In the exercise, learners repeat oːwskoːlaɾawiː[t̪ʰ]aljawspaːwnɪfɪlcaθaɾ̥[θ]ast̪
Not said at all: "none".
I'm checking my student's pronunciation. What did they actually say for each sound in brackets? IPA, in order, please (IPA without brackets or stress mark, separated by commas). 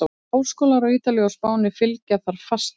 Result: t̪, f